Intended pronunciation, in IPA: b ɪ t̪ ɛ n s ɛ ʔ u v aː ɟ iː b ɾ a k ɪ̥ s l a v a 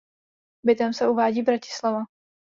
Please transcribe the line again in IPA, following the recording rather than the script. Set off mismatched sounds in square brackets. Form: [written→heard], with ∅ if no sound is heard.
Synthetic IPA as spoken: b ɪ t̪ ɛ [n→m] s ɛ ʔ u v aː ɟ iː b ɾ a [k→c] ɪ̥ s l a v a

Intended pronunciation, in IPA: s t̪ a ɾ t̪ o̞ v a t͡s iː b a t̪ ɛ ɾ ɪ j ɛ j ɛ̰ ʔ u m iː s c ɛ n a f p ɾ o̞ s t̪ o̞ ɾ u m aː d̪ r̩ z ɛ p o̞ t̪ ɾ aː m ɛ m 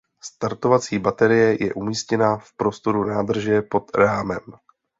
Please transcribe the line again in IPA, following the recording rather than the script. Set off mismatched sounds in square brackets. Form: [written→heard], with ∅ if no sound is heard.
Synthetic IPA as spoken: s t̪ a ɾ t̪ o̞ v a t͡s iː b a t̪ ɛ ɾ ɪ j ɛ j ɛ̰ ʔ u m iː s c ɛ n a f p ɾ o̞ s t̪ o̞ ɾ u [m→n] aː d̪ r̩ [z→ʒ] ɛ p o̞ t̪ ɾ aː m ɛ m

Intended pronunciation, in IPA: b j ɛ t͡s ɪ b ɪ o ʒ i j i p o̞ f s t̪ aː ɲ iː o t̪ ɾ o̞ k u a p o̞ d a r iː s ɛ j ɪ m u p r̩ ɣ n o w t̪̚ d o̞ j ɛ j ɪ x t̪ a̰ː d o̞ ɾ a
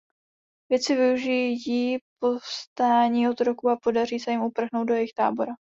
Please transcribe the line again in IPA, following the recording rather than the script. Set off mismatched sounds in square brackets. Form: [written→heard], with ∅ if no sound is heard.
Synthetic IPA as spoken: [b→v] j ɛ t͡s ɪ [b→v] ɪ [o→u] ʒ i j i p o̞ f s t̪ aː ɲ iː o t̪ ɾ o̞ k u a p o̞ d a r iː s ɛ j ɪ m u p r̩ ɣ n o w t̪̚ d o̞ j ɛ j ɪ x t̪ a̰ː [d→b] o̞ ɾ a

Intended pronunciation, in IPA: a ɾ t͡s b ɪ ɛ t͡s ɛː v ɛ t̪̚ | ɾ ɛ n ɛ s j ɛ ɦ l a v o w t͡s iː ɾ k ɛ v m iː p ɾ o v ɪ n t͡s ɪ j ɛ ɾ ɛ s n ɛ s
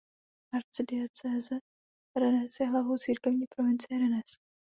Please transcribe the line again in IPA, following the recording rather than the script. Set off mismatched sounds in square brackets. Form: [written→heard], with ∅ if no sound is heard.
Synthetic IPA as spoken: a ɾ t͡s [b→d] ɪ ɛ t͡s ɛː [v→z] ɛ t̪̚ | ɾ ɛ n ɛ s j ɛ ɦ l a v o w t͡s iː ɾ k ɛ v [m→ɲ] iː p ɾ o v ɪ n t͡s ɪ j ɛ ɾ ɛ [s→∅] n ɛ s

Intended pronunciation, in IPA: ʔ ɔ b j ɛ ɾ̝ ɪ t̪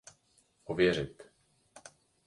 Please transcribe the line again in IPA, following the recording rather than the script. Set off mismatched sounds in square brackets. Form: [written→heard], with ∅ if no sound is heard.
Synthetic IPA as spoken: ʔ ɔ [b→v] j ɛ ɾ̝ ɪ t̪

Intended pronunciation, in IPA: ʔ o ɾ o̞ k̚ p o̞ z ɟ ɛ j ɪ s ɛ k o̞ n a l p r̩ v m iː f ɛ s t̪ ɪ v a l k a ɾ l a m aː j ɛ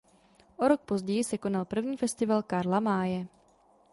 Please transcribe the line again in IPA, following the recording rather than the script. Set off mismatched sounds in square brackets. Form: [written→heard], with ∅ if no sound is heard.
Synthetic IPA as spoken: ʔ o ɾ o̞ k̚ p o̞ z ɟ ɛ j ɪ s ɛ k o̞ n a l p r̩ v [m→ɲ] iː f ɛ s t̪ ɪ v a l k a ɾ l a m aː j ɛ

